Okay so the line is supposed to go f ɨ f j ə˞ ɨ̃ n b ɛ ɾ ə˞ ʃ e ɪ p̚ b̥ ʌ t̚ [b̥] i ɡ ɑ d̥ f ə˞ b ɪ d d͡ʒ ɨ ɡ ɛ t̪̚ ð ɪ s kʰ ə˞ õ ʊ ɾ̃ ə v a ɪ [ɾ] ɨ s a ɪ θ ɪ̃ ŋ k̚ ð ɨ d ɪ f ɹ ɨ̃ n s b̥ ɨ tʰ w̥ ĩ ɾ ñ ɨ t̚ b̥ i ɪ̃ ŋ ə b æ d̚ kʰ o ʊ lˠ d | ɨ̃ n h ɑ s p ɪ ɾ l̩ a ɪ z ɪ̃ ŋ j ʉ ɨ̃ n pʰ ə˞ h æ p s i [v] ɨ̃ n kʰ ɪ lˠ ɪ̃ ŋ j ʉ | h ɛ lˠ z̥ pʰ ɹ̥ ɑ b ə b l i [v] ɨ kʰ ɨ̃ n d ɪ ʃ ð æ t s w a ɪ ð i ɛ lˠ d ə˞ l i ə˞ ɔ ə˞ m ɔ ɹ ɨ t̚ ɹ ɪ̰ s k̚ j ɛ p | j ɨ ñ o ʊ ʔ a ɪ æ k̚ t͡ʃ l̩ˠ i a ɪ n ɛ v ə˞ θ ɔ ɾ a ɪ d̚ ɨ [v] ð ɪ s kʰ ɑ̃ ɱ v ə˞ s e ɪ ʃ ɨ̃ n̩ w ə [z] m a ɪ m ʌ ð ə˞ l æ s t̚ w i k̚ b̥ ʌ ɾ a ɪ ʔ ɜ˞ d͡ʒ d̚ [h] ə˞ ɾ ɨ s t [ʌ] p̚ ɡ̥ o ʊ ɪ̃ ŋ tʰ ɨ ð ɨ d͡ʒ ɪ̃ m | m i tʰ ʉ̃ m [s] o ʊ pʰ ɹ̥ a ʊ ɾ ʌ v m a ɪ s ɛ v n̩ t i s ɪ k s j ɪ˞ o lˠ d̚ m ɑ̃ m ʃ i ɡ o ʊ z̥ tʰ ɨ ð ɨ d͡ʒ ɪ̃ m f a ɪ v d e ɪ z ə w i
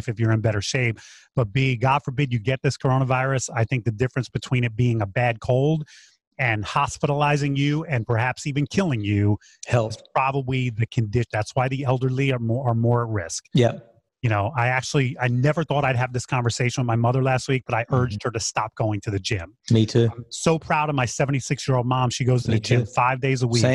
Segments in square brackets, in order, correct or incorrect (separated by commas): correct, incorrect, correct, incorrect, correct, incorrect, correct, incorrect, correct